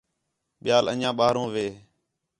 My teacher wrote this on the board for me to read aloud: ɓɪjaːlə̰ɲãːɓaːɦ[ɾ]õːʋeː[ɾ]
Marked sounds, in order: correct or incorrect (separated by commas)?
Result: correct, incorrect